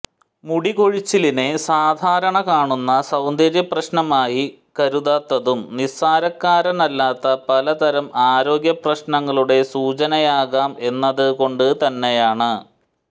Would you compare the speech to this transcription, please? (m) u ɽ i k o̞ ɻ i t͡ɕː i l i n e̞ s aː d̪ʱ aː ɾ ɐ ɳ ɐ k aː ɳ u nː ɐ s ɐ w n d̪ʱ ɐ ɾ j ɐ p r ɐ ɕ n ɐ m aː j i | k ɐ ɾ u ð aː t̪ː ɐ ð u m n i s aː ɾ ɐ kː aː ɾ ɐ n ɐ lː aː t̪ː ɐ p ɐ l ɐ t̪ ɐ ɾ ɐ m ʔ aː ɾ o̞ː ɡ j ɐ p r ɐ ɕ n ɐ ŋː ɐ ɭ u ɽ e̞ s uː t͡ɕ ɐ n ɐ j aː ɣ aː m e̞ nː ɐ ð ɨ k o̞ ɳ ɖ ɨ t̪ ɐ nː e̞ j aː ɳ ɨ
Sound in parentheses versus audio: correct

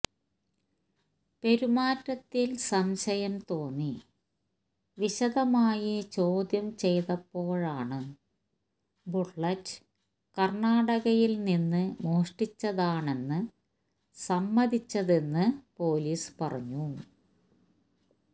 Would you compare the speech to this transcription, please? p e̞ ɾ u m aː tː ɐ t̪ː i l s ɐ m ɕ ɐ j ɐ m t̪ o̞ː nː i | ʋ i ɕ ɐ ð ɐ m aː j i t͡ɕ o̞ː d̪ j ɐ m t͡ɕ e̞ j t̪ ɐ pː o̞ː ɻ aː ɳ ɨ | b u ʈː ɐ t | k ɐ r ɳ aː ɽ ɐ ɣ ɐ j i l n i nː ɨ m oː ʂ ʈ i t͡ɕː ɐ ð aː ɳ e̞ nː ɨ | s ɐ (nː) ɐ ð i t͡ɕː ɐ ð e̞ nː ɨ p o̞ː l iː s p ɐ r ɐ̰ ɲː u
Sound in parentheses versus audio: incorrect: mː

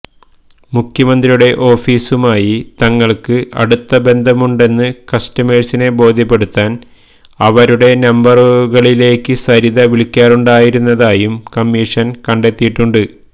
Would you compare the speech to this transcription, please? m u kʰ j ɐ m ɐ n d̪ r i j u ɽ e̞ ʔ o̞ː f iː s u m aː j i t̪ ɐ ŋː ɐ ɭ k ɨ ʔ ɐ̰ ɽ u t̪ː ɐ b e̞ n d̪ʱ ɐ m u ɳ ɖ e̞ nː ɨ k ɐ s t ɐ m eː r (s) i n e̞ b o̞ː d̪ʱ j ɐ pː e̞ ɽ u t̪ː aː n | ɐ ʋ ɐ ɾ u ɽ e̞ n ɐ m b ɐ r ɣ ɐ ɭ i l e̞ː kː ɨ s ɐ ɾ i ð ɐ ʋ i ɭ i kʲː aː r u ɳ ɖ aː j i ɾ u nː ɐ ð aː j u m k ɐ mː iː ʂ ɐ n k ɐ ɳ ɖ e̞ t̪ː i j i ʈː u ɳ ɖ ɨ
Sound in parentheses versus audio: correct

